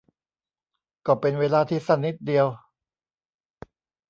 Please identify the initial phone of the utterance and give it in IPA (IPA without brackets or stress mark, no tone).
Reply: k